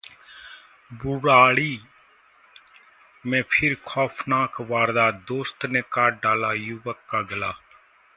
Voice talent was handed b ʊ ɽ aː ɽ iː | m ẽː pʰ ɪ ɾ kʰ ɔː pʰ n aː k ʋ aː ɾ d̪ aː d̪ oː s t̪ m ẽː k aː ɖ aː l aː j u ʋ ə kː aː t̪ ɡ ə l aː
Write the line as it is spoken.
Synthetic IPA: b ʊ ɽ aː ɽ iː | m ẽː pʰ ɪ ɾ kʰ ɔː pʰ n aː k ʋ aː ɾ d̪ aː d̪ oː s t̪ n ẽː k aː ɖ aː l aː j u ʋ ə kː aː ɡ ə l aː

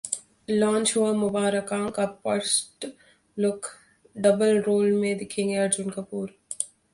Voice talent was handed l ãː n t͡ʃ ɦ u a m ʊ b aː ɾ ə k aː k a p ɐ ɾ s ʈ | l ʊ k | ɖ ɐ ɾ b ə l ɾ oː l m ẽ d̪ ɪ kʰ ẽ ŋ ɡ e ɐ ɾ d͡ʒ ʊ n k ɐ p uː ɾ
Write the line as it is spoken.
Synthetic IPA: l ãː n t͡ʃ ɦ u a m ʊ b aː ɾ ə k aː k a p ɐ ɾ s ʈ | l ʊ k | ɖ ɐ b ə l ɾ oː l m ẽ d̪ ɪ kʰ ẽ ŋ ɡ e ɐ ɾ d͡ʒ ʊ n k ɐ p uː ɾ

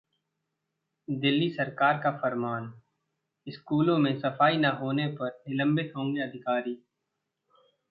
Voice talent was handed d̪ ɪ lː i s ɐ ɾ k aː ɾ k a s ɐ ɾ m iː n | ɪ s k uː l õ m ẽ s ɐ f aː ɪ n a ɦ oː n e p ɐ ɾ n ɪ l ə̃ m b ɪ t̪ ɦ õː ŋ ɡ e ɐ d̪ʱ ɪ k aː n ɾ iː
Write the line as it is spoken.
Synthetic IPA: d̪ ɪ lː i s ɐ ɾ k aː ɾ k a f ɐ ɾ m aː n | ɪ s k uː l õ m ẽ s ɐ f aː i n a ɦ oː n e p ɐ ɾ n ɪ l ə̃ m b ɪ t̪ ɦ õː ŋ ɡ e ɐ d̪ʱ ɪ k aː ɾ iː

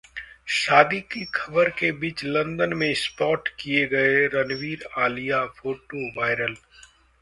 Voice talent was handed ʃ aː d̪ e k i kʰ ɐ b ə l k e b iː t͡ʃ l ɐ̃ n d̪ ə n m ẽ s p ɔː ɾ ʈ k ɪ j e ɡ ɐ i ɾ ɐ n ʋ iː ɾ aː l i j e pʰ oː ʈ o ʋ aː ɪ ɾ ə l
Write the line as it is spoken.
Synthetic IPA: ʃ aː d̪ i k i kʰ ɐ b ə ɾ k e b iː t͡ʃ l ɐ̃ n d̪ ə n m ẽ s p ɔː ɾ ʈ k i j e ɡ ɐ e ɾ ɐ n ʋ iː ɾ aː l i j a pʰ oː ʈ o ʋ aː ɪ ɾ ə l

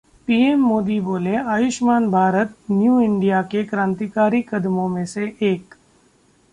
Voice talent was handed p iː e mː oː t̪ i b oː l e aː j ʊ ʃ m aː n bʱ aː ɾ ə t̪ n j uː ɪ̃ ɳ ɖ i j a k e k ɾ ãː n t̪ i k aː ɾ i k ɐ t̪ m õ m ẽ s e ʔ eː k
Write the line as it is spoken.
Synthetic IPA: p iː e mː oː d̪ i b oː l e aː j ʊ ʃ m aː n bʱ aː ɾ ə t̪ n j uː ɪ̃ ɳ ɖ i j a k e k ɾ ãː n t̪ i k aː ɾ i k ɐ d̪ m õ m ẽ s e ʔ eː k

